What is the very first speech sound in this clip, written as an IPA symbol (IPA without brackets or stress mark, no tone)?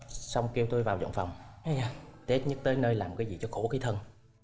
s